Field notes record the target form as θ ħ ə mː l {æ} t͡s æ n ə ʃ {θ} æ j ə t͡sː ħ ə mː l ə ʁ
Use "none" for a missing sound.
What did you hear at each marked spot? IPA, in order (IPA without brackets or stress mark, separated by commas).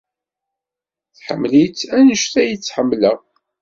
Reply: i, θ